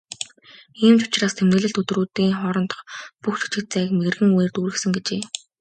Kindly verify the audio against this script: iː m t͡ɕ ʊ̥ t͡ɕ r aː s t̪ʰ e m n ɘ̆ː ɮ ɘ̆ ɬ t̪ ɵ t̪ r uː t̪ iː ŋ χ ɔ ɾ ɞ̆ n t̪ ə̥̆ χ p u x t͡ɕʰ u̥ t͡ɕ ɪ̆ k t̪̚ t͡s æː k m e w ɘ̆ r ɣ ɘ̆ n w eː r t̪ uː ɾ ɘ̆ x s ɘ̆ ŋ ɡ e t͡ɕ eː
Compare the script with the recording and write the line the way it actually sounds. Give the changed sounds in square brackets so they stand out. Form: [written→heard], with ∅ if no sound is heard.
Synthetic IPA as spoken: iː m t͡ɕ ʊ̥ t͡ɕ r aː s t̪ʰ e m n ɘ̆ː ɮ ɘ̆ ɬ t̪ ɵ t̪ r uː t̪ iː ŋ χ ɔ ɾ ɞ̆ n t̪ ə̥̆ χ p u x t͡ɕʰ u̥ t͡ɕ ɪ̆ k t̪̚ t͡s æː k m e [w→ɣ] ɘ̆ r ɣ ɘ̆ [n→ŋ] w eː r t̪ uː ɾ ɘ̆ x s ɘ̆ ŋ ɡ e t͡ɕ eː